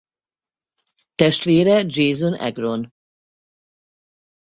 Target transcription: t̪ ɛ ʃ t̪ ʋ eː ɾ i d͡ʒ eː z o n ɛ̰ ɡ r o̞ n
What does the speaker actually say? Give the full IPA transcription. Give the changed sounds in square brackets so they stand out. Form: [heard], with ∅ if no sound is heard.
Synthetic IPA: t̪ ɛ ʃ t̪ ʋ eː ɾ [ɛ] d͡ʒ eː z o n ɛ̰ ɡ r o̞ n